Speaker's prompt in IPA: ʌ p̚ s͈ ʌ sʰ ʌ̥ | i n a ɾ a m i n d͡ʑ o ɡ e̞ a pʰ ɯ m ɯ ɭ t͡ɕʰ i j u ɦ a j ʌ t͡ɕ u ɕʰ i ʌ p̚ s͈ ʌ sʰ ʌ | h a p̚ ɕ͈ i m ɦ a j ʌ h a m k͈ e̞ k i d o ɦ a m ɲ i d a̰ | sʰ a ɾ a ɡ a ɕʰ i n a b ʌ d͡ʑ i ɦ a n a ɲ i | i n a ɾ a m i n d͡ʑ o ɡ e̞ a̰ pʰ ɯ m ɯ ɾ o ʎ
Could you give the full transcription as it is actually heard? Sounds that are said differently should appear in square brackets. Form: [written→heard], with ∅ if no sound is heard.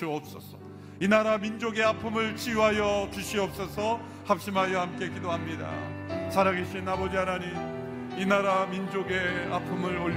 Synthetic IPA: ʌ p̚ s͈ ʌ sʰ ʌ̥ | i n a ɾ a m i n d͡ʑ o ɡ e̞ a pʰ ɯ m ɯ ɭ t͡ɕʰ i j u ɦ a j ʌ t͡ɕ u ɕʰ i ʌ p̚ s͈ ʌ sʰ ʌ | h a p̚ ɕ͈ i m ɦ a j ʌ h a m k͈ e̞ k i d o ɦ a m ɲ i d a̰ | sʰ a ɾ a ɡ [a→e] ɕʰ i n a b ʌ d͡ʑ i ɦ a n a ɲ i | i n a ɾ a m i n d͡ʑ o ɡ e̞ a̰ pʰ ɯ m ɯ ɾ o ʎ